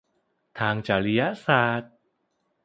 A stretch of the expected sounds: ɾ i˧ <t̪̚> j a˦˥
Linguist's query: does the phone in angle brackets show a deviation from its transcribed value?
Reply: yes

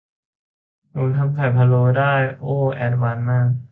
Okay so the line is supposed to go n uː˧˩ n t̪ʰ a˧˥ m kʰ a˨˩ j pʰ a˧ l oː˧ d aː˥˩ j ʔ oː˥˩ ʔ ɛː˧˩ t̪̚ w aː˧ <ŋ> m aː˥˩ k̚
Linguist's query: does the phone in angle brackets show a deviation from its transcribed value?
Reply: yes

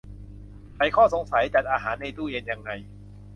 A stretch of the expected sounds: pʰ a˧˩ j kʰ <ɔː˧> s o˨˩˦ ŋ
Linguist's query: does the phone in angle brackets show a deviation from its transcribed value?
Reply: yes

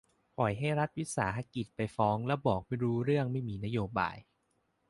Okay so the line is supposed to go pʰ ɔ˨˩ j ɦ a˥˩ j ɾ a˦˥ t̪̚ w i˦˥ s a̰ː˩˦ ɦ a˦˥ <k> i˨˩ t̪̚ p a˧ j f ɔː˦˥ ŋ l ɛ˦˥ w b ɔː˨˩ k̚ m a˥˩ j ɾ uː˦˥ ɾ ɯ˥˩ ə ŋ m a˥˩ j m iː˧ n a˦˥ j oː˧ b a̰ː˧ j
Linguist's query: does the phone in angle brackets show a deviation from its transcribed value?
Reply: no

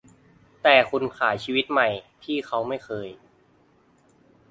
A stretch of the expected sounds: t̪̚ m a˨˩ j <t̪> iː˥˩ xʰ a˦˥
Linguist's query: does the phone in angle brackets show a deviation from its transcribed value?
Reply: yes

